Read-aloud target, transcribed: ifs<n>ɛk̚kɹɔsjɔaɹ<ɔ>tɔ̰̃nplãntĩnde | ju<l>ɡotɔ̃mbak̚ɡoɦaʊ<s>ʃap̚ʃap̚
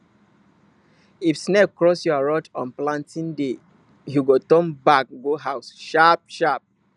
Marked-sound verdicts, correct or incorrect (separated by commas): correct, correct, incorrect, correct